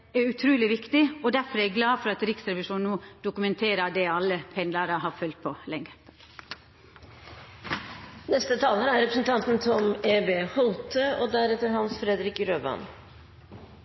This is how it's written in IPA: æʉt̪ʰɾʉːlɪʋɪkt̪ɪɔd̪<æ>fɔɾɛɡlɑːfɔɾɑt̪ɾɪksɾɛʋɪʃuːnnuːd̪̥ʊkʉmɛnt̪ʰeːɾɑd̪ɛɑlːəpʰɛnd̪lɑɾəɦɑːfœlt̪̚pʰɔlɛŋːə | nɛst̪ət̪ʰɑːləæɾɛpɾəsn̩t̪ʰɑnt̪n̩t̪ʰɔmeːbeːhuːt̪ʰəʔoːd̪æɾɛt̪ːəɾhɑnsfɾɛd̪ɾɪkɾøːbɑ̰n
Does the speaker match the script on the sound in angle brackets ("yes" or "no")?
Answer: yes